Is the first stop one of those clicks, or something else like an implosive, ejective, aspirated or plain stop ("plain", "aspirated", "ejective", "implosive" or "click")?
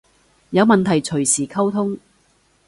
aspirated